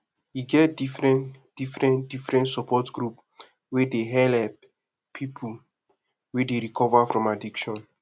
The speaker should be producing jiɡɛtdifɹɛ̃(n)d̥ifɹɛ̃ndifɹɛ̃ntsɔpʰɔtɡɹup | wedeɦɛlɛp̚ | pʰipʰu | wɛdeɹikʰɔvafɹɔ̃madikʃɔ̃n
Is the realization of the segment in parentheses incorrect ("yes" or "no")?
no